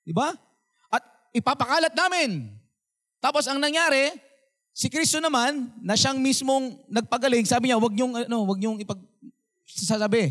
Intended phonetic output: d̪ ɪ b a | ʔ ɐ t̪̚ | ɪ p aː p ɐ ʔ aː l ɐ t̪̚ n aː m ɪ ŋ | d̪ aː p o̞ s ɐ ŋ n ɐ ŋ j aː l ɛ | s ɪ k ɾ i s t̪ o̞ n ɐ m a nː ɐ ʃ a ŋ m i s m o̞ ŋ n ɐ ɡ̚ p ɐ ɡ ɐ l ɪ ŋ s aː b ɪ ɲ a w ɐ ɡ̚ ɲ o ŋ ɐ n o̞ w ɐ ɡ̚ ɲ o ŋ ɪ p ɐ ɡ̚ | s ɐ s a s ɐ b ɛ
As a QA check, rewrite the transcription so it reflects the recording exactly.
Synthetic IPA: d̪ ɪ b a | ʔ ɐ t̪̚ | ɪ p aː p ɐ k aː l ɐ t̪̚ n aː m ɪ n | t̪ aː p o̞ s ɐ ŋ n ɐ ŋ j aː ɾ ɛ | s ɪ k ɾ i s t̪ o̞ n ɐ m a nː ɐ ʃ a ŋ m i s m o̞ ŋ n ɐ ɡ̚ p ɐ ɡ ɐ l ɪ ŋ s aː b ɪ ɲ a w ɐ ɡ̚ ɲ o ŋ ɐ n o̞ w ɐ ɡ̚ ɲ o ŋ ɪ p ɐ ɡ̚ | s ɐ s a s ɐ b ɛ